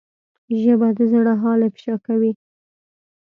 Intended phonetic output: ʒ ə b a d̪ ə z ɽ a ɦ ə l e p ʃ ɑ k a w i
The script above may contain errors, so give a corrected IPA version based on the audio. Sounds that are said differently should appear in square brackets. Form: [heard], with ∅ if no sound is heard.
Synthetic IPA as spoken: ʒ ə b a d̪ ə z ɽ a ɦ [ɑ] l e p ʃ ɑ k a w i